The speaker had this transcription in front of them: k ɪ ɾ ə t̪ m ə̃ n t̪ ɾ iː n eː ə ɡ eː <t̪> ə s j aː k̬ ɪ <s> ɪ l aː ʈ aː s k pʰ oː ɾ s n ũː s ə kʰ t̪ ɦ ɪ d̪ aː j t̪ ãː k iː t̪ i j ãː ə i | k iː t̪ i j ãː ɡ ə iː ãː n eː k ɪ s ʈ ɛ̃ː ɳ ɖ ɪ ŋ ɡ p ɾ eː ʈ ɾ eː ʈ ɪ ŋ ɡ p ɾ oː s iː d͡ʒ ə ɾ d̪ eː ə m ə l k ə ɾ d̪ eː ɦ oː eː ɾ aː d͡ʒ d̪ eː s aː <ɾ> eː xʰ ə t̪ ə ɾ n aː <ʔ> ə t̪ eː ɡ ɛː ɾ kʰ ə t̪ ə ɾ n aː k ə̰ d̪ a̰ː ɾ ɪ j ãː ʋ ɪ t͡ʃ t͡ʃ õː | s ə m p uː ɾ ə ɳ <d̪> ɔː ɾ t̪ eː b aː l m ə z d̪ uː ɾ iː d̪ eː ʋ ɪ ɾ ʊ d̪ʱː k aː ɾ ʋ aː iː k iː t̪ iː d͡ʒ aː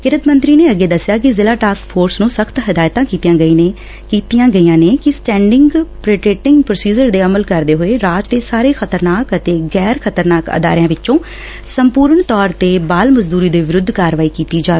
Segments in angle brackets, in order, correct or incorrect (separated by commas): incorrect, incorrect, correct, incorrect, incorrect